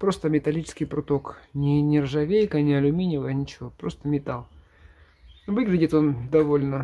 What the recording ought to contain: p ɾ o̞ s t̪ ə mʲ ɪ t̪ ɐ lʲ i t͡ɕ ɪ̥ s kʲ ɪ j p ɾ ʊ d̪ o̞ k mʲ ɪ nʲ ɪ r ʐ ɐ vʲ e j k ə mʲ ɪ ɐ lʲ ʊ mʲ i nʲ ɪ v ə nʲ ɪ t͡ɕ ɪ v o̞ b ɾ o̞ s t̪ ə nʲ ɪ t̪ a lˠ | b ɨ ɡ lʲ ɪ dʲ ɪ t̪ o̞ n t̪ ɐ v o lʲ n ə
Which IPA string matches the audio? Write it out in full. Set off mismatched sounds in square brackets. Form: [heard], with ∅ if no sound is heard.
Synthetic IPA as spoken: p ɾ o̞ s t̪ ə mʲ ɪ t̪ ɐ lʲ i t͡ɕ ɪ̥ s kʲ ɪ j p ɾ ʊ [t̪] o̞ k [nʲ] ɪ nʲ ɪ r ʐ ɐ vʲ e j k ə [nʲ] ɪ ɐ lʲ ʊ mʲ i nʲ ɪ v ə nʲ ɪ t͡ɕ ɪ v o̞ [p] ɾ o̞ s t̪ ə [mʲ] ɪ t̪ a lˠ | [v] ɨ ɡ lʲ ɪ dʲ ɪ t̪ o̞ n [d̪] ɐ v o lʲ n ə